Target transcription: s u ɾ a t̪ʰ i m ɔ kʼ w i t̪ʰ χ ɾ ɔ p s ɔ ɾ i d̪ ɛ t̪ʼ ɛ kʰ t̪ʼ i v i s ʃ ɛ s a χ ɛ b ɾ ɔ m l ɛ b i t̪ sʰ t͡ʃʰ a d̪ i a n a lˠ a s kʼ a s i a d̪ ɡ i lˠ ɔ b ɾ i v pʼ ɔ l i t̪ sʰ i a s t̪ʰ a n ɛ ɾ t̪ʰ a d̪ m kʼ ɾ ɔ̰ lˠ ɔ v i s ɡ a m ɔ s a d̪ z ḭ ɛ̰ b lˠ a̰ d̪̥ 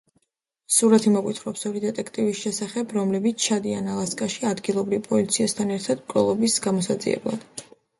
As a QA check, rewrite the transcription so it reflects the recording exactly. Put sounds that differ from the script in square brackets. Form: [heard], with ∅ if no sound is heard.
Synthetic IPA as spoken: s u ɾ a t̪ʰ i m ɔ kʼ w i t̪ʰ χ ɾ ɔ p s ɔ ɾ i d̪ ɛ t̪ʼ ɛ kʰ t̪ʼ i v i s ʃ ɛ s a χ ɛ b ɾ ɔ m l ɛ b i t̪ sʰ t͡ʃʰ a d̪ i a n a lˠ a s kʼ a [ʃ] i a d̪ ɡ i lˠ ɔ b ɾ i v pʼ ɔ l i t̪ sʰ i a s t̪ʰ a n ɛ ɾ t̪ʰ a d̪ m kʼ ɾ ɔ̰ lˠ ɔ [b] i s ɡ a m ɔ s a d̪ z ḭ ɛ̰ b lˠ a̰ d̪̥